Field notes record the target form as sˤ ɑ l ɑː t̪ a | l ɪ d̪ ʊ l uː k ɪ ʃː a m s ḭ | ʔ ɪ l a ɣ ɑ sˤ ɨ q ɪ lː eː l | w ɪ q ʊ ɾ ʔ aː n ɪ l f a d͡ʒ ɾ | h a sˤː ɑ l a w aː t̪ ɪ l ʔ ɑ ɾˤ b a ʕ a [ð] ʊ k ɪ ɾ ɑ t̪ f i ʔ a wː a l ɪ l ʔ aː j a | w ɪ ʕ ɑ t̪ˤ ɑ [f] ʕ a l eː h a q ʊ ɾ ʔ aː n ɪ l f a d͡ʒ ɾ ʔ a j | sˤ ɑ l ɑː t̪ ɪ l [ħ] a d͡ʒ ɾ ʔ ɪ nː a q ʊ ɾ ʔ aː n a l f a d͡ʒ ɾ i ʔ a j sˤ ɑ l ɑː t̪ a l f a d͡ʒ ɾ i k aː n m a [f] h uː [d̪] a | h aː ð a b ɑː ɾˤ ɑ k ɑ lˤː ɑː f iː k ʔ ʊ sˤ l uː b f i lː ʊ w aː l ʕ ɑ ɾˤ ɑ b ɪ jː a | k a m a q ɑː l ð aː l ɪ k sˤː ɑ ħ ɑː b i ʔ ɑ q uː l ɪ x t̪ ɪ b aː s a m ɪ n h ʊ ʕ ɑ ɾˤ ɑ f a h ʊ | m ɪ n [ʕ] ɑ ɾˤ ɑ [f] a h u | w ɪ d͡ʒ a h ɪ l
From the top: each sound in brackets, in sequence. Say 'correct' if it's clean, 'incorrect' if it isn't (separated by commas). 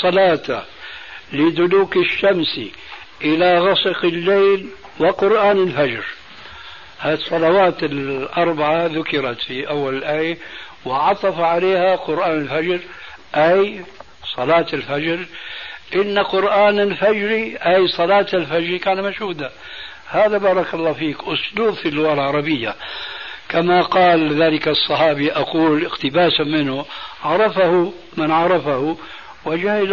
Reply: correct, correct, incorrect, incorrect, correct, correct, correct